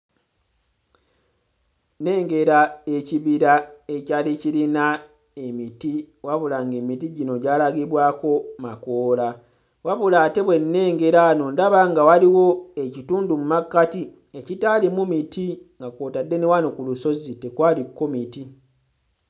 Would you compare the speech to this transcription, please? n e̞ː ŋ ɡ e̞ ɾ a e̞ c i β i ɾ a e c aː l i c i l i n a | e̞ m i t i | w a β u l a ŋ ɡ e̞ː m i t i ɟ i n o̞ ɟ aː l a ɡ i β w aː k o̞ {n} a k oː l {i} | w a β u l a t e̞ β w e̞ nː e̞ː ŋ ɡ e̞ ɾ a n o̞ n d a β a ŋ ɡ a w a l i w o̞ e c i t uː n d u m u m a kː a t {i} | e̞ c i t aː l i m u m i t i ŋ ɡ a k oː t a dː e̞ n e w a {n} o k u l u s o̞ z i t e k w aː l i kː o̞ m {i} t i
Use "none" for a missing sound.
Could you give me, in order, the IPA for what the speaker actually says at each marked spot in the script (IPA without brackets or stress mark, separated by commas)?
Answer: m, a, i, n, i